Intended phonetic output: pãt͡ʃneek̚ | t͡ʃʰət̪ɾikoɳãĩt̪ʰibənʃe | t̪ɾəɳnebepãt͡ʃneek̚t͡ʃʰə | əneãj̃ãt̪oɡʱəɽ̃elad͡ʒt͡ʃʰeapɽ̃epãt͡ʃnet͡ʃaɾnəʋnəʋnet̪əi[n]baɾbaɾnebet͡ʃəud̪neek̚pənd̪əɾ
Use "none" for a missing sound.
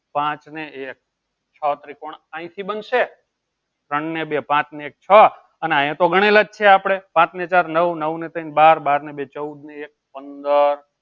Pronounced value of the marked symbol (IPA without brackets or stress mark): n